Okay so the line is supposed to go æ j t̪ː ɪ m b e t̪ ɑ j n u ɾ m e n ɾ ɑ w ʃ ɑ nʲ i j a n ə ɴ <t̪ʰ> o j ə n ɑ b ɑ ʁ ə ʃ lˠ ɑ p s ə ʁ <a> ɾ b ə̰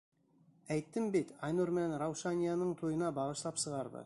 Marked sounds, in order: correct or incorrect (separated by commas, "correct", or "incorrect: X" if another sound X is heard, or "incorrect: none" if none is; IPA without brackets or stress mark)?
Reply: correct, incorrect: ɑ